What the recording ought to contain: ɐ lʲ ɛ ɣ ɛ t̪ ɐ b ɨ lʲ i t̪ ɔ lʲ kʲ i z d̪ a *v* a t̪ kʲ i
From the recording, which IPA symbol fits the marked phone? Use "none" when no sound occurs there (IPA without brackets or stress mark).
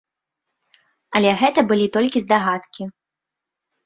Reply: ɣ